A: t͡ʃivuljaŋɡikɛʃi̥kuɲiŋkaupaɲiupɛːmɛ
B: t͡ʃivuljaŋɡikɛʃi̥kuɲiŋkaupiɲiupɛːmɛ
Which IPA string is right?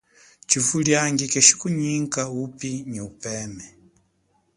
B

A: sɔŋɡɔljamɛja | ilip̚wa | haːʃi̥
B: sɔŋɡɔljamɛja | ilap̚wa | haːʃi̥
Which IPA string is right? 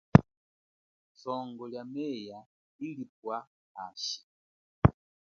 A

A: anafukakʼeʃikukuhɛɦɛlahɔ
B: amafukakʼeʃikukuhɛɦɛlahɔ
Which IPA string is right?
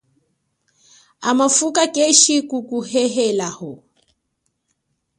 B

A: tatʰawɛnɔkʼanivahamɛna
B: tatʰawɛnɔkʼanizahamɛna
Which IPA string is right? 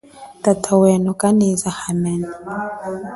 B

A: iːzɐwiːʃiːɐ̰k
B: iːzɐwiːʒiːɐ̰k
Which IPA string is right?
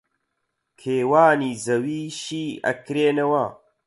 A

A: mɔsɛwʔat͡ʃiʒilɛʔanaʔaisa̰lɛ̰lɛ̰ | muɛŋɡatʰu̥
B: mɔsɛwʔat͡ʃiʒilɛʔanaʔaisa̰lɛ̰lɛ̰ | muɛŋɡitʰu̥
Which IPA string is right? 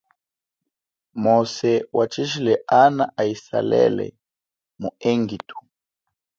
B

